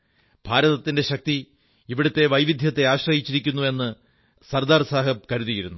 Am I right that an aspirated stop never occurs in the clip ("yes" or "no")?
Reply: yes